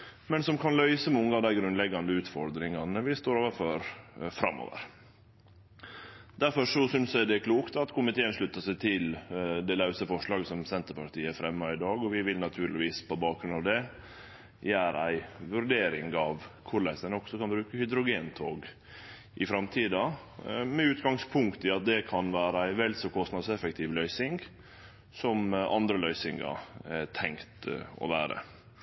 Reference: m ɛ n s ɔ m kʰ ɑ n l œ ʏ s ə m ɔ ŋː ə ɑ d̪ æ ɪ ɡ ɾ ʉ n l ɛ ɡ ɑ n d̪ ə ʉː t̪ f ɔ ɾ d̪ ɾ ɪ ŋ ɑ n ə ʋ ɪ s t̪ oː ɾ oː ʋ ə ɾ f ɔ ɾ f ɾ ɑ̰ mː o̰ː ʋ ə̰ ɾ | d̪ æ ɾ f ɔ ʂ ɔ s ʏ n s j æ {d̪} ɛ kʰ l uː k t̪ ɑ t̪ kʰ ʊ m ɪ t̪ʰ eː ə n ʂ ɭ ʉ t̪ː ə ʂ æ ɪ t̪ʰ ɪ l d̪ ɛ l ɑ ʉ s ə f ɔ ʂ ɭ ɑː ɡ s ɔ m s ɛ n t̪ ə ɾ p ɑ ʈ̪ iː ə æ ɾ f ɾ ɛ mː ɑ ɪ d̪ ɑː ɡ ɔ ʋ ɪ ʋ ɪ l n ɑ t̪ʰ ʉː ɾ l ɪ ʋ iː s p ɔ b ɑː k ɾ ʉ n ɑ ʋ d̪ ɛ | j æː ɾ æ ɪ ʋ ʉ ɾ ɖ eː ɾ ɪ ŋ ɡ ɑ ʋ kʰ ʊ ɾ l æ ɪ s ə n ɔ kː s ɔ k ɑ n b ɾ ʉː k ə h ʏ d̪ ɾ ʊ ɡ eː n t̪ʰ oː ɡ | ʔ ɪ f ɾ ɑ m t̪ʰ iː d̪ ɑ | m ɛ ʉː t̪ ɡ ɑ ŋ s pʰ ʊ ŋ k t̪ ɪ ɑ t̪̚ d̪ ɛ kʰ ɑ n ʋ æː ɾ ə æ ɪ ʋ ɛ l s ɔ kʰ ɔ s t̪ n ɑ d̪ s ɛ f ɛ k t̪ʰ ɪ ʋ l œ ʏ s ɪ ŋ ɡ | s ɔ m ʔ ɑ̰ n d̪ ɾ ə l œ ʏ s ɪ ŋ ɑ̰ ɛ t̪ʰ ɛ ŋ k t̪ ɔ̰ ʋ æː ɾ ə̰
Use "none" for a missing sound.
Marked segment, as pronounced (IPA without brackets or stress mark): d̪